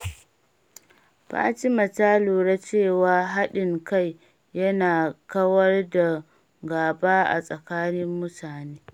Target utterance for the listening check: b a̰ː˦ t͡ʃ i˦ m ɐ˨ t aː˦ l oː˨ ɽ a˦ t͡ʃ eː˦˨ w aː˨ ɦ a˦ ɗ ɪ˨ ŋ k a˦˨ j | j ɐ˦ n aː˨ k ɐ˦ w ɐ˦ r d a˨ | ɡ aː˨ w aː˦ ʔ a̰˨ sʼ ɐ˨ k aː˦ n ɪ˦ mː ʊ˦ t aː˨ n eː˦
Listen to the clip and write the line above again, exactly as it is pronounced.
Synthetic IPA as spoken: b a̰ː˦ t͡ʃ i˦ m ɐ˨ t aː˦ l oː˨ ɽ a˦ t͡ʃ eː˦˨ w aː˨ ɦ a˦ ɗ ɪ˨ ŋ k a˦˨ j | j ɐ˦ n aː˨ k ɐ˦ w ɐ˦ r d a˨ | ɡ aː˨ b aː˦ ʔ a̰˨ sʼ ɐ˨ k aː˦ n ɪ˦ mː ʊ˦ t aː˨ n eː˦